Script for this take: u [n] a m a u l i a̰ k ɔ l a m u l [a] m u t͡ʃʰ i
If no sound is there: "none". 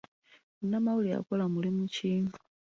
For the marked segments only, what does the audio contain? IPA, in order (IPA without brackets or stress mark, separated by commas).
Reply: n, i